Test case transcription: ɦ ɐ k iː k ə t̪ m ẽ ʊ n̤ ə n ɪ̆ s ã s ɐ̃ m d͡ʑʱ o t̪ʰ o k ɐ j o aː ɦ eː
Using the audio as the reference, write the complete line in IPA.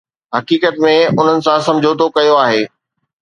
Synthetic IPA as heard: ɦ ɐ k iː k ə t̪ m ẽ ʊ n̤ ə n ɪ̆ s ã s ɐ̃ m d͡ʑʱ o t̪ o k ɐ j o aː ɦ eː